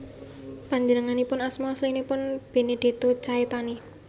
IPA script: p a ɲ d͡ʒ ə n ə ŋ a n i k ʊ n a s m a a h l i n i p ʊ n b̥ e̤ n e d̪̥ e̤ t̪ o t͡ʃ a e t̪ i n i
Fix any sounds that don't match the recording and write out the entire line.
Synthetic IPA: p a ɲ d͡ʒ ə n ə ŋ a n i p ʊ n a s m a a s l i n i p ʊ n b̥ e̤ n e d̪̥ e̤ t̪ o t͡ʃ a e t̪ a n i